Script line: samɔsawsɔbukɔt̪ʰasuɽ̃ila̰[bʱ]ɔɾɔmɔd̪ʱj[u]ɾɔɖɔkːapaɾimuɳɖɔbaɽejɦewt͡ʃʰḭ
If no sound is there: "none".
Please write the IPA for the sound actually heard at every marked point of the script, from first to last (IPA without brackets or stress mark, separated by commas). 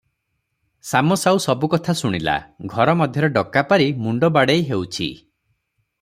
ɡʱ, ɔ